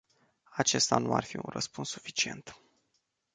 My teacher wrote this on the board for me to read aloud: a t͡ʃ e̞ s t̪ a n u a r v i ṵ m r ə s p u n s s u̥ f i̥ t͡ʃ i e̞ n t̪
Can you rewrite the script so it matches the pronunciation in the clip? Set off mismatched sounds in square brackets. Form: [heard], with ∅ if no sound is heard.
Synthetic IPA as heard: a t͡ʃ e̞ s t̪ a n u a r [f] i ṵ [n] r ə s p u n s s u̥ f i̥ t͡ʃ i e̞ n t̪